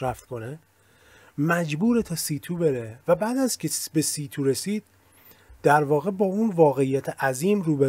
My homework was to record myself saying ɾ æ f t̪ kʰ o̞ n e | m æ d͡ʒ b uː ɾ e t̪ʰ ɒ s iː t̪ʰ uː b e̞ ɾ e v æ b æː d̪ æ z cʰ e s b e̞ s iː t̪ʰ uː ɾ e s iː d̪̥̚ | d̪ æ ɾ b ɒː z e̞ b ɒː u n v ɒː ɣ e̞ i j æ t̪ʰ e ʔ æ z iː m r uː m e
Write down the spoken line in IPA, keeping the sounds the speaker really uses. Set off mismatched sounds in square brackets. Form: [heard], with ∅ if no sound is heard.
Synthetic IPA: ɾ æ f t̪ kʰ o̞ n e | m æ d͡ʒ b uː ɾ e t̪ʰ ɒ s iː t̪ʰ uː b e̞ ɾ e v æ b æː d̪ æ z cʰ e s b e̞ s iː t̪ʰ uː ɾ e s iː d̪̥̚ | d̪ æ ɾ [v] ɒː [ɣ] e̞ b ɒː u n v ɒː ɣ e̞ i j æ t̪ʰ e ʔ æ z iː m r uː [b] e

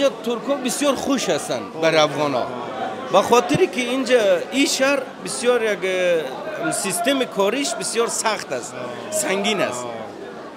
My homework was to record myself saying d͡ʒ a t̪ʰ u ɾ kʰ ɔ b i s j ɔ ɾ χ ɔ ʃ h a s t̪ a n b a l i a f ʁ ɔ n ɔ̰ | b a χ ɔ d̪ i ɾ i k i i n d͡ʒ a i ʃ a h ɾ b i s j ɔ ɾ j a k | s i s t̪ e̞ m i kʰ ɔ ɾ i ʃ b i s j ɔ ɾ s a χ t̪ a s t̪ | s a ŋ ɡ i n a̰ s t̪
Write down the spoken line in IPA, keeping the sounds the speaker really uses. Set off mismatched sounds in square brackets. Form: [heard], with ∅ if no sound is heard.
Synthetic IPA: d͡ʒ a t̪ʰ u ɾ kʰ ɔ b i s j ɔ ɾ χ [u] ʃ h a s t̪ a n b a [ɾ] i a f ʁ ɔ n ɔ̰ | b a χ ɔ [t̪] i ɾ i k i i n d͡ʒ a i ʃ a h ɾ b i s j ɔ ɾ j a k | s i s t̪ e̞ m i kʰ ɔ ɾ i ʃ b i s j ɔ ɾ s a χ t̪ a s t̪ | s a ŋ ɡ i n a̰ s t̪

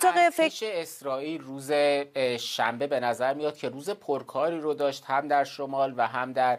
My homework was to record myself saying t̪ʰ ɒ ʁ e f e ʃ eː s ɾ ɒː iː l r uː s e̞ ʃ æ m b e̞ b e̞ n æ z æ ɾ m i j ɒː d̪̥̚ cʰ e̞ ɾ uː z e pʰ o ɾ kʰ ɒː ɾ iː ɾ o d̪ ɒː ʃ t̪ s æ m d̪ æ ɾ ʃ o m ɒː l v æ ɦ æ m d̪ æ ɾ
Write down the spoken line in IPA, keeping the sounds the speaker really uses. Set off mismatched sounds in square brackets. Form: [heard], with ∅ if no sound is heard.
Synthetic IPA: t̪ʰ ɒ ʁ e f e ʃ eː s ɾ ɒː iː l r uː [z] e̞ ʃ æ m b e̞ b e̞ n æ z æ ɾ m i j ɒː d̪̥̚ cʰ e̞ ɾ uː z e pʰ o ɾ kʰ ɒː ɾ iː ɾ o d̪ ɒː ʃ t̪ [h] æ m d̪ æ ɾ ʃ o m ɒː l v æ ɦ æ m d̪ æ ɾ

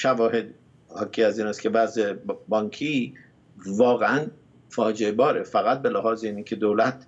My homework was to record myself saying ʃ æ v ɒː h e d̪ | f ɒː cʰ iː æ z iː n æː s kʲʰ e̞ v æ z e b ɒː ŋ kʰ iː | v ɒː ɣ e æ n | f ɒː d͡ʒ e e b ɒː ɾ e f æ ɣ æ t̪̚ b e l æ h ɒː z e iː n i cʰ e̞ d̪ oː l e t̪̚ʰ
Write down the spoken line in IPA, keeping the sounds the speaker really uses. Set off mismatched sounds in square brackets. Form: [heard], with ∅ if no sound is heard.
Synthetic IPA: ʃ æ v ɒː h e d̪ | [h] ɒː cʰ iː æ z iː n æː s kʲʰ e̞ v æ z e b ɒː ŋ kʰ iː | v ɒː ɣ e æ n | f ɒː d͡ʒ e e b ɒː ɾ e f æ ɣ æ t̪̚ b e l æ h ɒː z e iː n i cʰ e̞ d̪ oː l [æ] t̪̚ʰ

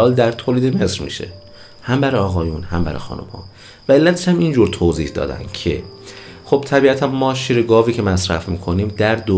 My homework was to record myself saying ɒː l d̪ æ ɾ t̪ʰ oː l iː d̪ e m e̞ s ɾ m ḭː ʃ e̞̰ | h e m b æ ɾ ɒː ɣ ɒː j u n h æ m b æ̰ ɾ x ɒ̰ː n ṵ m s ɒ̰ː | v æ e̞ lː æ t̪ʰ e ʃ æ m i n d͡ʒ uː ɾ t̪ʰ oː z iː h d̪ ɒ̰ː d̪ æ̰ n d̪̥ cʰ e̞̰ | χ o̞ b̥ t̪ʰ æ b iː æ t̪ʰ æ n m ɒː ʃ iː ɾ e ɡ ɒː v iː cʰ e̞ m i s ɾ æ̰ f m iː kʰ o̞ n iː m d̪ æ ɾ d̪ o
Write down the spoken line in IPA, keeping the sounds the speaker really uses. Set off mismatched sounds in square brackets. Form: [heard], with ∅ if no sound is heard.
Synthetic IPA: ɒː l d̪ æ ɾ t̪ʰ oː l iː d̪ e m e̞ s ɾ m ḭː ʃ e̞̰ | h [æ] m b æ ɾ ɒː ɣ ɒː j u n h æ m b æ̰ ɾ x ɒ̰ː n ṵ m [h] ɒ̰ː | v æ e̞ lː æ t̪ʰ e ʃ æ m i n d͡ʒ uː ɾ t̪ʰ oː z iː h d̪ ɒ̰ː d̪ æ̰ n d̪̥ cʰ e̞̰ | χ o̞ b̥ t̪ʰ æ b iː æ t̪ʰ æ n m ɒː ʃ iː ɾ e ɡ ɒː v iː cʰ e̞ m [æ] s ɾ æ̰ f m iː kʰ o̞ n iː m d̪ æ ɾ d̪ o

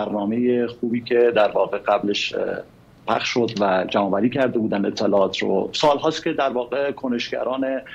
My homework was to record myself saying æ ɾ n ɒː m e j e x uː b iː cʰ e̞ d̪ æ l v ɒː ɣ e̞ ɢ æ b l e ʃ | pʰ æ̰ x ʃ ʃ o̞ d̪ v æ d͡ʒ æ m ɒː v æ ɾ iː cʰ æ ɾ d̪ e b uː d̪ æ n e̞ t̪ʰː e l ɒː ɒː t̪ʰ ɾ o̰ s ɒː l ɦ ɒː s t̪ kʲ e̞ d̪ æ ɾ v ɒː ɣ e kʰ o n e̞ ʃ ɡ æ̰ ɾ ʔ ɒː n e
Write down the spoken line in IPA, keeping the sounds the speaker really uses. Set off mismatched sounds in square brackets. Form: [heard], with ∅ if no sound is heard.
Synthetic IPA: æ ɾ n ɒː m e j e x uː b iː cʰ e̞ d̪ æ [ɾ] v ɒː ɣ e̞ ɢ æ b l e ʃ | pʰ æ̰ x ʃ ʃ o̞ d̪ v æ d͡ʒ æ m ɒː v æ ɾ iː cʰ æ ɾ d̪ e b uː d̪ æ n e̞ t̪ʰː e l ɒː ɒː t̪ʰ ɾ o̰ s ɒː l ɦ ɒː s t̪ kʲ e̞ d̪ æ ɾ v ɒː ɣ e kʰ o n e̞ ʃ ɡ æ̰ ɾ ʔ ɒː n e

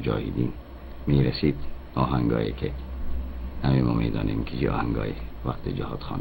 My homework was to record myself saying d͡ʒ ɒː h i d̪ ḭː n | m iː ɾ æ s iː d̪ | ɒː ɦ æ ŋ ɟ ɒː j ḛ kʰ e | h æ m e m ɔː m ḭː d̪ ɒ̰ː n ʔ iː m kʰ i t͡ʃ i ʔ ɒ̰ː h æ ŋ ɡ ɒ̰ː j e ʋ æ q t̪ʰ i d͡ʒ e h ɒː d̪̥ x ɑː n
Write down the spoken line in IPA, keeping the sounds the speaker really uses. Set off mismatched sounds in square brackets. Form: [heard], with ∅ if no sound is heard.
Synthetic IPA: d͡ʒ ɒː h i d̪ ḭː n | m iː ɾ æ s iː d̪ | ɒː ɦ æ ŋ [ɡ] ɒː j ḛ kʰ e | h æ m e m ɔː m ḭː d̪ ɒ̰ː n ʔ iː m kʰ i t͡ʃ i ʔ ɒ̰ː h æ ŋ ɡ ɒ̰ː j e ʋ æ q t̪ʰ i d͡ʒ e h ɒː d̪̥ x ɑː n

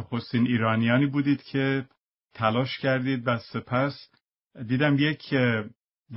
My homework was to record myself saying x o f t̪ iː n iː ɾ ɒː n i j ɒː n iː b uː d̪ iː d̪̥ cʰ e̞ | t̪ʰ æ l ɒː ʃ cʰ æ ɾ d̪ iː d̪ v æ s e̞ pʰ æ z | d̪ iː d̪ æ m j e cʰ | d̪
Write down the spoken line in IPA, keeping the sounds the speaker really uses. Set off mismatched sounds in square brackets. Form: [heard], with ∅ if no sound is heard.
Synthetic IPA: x o [s] t̪ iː n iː ɾ ɒː n i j ɒː n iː b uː d̪ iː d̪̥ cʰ e̞ | t̪ʰ æ l ɒː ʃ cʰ æ ɾ d̪ iː d̪ v æ s e̞ pʰ æ [s] | d̪ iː d̪ æ m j e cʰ | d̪

